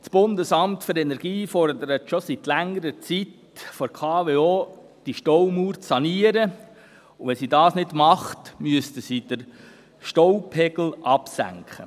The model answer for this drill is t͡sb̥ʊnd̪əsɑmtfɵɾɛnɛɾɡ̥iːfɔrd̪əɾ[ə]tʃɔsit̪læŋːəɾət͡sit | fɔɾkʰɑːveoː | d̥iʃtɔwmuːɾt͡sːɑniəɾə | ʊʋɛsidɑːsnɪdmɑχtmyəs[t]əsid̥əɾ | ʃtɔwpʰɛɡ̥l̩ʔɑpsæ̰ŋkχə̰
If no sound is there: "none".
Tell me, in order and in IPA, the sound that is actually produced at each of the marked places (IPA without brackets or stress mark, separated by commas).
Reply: ə, t